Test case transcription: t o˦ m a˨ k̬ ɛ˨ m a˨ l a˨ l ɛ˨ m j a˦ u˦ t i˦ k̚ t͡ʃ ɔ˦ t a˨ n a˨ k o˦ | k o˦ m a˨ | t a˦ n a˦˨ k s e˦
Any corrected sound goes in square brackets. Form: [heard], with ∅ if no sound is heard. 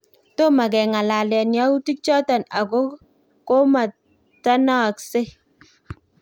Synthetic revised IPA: t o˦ m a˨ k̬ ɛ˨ [ŋ] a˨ l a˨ l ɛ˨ [n] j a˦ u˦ t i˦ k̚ t͡ʃ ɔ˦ t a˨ n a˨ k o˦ | k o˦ m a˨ | t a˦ n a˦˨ k s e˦